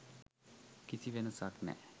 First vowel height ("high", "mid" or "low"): high